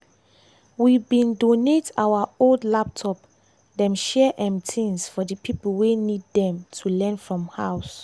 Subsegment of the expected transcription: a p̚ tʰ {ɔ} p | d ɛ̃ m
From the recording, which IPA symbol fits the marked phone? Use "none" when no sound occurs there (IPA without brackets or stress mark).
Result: ɔ